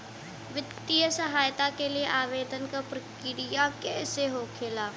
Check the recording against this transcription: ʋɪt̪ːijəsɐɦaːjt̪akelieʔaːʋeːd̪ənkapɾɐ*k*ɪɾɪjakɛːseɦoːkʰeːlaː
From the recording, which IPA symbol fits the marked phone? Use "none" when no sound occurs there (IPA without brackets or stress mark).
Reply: k